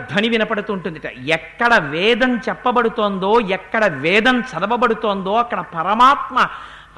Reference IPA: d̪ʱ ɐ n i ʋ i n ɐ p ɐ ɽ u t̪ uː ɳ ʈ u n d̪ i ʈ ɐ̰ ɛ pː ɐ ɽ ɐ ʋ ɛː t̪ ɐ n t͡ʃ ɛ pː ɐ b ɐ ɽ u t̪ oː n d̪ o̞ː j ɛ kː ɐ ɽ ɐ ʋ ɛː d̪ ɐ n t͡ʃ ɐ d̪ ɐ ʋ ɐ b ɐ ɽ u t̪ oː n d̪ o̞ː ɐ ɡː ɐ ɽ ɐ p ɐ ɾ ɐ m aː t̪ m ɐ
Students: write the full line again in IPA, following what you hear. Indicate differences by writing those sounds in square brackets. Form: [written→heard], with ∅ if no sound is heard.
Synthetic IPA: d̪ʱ ɐ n i ʋ i n ɐ p ɐ ɽ u t̪ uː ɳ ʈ u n d̪ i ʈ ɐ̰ ɛ [pː→kː] ɐ ɽ ɐ ʋ ɛː [t̪→d̪] ɐ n t͡ʃ ɛ pː ɐ b ɐ ɽ u t̪ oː n d̪ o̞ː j ɛ kː ɐ ɽ ɐ ʋ ɛː d̪ ɐ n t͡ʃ ɐ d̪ ɐ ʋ ɐ b ɐ ɽ u t̪ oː n d̪ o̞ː ɐ [ɡː→kː] ɐ ɽ ɐ p ɐ ɾ ɐ m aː t̪ m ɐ